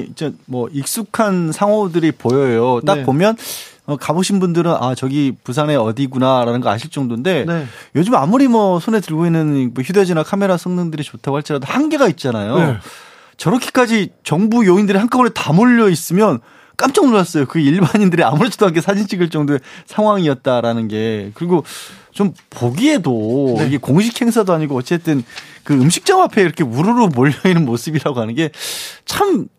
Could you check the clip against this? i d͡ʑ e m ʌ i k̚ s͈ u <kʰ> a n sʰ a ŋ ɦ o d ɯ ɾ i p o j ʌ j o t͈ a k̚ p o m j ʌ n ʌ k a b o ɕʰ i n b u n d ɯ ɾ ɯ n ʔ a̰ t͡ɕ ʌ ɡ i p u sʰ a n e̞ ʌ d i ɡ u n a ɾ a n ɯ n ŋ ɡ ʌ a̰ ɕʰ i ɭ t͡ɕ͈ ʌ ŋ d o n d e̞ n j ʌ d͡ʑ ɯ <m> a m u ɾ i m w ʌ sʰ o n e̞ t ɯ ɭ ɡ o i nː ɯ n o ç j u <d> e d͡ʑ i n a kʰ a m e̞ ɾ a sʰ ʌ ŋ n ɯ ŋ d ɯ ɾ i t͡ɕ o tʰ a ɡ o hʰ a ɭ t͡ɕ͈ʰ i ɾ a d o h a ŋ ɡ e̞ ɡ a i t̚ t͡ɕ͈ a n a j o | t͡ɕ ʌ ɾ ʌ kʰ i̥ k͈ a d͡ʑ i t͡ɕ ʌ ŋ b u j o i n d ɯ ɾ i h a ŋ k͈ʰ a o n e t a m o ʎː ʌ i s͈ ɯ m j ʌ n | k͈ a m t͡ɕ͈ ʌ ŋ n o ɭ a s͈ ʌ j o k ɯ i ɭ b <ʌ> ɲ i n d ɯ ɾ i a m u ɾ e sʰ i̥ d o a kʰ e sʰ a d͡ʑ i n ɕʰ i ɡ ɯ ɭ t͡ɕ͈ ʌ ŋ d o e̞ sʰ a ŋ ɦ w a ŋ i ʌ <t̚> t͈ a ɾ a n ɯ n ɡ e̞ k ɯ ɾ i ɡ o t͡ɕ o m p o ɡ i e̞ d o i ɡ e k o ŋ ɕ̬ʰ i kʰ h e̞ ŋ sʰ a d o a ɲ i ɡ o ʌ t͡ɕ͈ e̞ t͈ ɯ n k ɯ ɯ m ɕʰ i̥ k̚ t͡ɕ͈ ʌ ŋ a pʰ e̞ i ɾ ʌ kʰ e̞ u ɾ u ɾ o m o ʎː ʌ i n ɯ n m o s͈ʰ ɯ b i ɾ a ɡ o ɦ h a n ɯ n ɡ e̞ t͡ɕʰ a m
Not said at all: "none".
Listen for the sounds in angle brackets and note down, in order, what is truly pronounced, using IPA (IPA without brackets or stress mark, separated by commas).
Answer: kʰ, m, d, a, t̚